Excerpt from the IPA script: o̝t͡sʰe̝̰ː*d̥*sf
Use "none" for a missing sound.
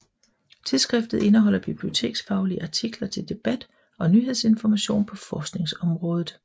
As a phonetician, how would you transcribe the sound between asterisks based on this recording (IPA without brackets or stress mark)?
ɡ̥